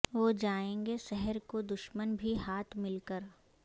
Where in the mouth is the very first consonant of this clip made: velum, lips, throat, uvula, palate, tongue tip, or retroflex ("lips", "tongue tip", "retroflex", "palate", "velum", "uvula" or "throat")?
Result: lips